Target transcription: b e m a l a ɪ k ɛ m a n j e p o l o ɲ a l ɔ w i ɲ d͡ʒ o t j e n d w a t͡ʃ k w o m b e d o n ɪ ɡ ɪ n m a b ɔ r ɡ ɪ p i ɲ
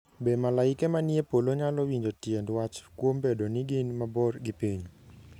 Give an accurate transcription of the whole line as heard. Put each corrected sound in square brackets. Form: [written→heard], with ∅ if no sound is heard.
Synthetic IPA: b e m a l a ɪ k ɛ m a n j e p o l o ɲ a l ɔ w i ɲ d͡ʒ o t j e n d w a t͡ʃ k w o m b e d o n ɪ ɡ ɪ n m a b ɔ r ɡ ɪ p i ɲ